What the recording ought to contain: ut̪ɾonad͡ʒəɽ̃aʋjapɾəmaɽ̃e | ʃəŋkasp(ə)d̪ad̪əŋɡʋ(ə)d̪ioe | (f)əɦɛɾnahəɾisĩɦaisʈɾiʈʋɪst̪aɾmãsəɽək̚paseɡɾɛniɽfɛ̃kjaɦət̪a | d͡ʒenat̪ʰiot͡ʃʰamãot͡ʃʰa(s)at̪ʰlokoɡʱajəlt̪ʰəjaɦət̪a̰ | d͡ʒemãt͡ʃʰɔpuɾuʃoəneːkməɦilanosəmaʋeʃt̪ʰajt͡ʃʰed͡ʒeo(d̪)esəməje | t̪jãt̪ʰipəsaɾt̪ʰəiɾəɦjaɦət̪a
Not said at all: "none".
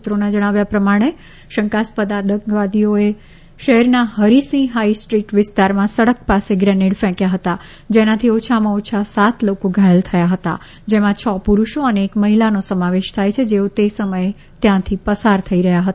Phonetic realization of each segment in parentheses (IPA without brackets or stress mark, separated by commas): ə, a, ʃ, s, t̪